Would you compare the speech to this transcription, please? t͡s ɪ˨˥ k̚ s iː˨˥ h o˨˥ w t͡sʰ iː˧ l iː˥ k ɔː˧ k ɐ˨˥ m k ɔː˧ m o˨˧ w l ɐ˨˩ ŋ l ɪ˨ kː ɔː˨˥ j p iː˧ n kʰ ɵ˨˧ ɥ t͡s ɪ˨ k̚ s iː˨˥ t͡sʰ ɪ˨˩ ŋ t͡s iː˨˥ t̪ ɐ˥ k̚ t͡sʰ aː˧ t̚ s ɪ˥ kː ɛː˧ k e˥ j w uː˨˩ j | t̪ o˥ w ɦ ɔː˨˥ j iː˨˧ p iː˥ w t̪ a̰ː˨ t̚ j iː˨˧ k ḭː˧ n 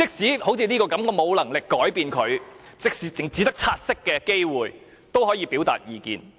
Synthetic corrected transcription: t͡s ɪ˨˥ k̚ s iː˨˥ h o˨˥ w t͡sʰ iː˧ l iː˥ k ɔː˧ k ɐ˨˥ m k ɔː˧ m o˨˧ w l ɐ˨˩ ŋ l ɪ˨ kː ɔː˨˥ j p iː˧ n kʰ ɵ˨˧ ɥ t͡s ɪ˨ k̚ s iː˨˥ t͡s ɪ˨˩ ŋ t͡s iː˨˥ t̪ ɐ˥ k̚ t͡sʰ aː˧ t̚ s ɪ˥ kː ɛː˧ k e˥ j w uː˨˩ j | t̪ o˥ w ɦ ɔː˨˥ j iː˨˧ p iː˨˥ w t̪ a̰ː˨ t̚ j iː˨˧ k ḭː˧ n

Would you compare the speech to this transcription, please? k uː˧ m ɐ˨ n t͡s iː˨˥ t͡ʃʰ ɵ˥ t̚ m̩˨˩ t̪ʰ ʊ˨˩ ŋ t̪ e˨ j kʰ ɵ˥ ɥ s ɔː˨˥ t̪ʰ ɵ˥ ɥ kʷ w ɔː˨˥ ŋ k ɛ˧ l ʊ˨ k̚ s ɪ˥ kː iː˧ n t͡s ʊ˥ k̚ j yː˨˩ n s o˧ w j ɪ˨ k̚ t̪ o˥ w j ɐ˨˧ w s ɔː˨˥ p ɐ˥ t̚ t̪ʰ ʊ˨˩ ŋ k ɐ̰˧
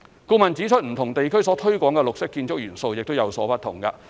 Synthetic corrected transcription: k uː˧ m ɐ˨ n t͡s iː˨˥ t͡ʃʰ ɵ˥ t̚ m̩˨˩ t̪ʰ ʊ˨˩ ŋ t̪ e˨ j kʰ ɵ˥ ɥ s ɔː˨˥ t̪ʰ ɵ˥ ɥ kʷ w ɔː˨˥ ŋ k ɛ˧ l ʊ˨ k̚ s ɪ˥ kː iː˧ n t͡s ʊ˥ k̚ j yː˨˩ n s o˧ w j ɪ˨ k̚ t̪ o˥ w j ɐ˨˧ w s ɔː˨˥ p ɐ˥ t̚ t̪ʰ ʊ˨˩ ŋ k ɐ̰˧

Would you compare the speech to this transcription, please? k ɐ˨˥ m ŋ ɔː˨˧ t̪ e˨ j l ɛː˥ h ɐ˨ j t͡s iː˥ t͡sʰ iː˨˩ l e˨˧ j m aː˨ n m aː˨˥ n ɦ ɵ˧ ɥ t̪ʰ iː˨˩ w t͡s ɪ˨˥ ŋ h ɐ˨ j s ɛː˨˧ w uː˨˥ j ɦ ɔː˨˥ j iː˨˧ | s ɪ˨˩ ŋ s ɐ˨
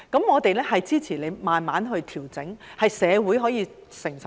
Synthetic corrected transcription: k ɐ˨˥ m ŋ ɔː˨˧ t̪ e˨ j l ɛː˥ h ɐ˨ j t͡s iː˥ t͡sʰ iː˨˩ l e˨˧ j m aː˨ n m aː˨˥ n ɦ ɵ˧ ɥ t̪ʰ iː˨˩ w t͡s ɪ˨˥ ŋ h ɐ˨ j s ɛː˨˧ w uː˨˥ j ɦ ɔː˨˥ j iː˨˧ | s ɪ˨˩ ŋ s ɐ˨

